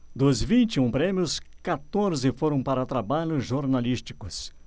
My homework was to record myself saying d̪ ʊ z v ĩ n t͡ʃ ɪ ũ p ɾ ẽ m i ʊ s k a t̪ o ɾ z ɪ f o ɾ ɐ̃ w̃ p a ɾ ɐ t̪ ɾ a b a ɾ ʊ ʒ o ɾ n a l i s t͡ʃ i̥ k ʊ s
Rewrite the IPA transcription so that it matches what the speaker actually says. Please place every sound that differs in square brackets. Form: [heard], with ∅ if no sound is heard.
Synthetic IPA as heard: d̪ ʊ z v ĩ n t͡ʃ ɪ ũ p ɾ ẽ m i ʊ s k a t̪ o ɾ z ɪ f o ɾ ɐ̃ w̃ p a ɾ ɐ t̪ ɾ a b a [ʎ] ʊ ʒ o ɾ n a l i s t͡ʃ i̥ k ʊ s